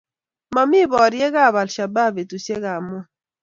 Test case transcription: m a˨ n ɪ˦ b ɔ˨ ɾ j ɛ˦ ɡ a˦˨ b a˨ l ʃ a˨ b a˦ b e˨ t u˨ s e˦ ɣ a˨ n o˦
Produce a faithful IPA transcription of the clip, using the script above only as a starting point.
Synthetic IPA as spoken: m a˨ m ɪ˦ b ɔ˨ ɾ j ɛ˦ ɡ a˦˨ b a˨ l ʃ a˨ b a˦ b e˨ t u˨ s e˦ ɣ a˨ m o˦

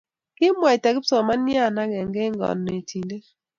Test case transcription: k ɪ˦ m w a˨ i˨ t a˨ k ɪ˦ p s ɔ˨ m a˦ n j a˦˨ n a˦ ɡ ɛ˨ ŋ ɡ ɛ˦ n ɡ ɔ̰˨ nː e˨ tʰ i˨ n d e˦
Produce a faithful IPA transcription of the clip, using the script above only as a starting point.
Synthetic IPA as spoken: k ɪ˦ m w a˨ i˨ t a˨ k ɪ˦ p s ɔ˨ m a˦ n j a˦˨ n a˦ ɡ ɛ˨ ŋ ɡ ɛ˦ ŋ ɡ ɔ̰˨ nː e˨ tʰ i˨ n d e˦

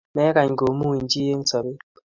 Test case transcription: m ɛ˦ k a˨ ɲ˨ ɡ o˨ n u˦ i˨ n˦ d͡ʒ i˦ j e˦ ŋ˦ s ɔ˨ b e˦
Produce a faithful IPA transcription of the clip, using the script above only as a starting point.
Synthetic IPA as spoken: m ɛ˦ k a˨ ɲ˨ ɡ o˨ m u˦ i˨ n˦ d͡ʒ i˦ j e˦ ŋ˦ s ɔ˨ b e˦

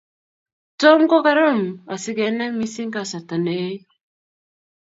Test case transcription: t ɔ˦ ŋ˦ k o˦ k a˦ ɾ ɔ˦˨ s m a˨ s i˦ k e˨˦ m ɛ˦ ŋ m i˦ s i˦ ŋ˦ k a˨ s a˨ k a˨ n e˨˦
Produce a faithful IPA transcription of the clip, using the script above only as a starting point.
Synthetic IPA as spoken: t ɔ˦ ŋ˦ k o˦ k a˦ ɾ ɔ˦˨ m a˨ s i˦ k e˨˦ n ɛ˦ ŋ m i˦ s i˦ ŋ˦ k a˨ s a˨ t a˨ n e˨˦

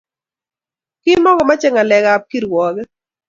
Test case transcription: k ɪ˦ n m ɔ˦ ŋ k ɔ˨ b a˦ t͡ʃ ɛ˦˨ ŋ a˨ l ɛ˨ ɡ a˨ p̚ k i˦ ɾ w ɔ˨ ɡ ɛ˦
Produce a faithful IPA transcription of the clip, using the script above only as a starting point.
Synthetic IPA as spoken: k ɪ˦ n m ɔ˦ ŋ ɡ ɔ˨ m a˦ t͡ʃ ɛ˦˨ ŋ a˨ l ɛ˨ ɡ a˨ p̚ k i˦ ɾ w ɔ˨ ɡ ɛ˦

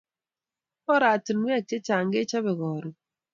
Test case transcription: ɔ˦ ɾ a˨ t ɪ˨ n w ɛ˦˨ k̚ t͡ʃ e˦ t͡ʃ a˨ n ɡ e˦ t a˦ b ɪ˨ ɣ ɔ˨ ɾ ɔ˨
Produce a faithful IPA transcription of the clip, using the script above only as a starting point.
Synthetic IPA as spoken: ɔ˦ ɾ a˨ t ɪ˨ n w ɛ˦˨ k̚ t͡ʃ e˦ t͡ʃ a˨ ŋ ɡ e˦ t͡ʃ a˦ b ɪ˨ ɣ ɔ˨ ɾ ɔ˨

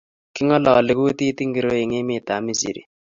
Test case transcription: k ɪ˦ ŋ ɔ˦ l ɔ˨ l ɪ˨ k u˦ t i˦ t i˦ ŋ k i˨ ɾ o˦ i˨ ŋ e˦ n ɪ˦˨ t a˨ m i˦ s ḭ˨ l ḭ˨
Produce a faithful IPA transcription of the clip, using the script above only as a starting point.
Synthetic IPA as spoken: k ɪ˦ ŋ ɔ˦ l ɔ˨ l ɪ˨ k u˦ t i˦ t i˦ ŋ ɡ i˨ ɾ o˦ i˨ ŋ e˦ m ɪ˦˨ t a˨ m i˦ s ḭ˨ ɾ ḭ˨

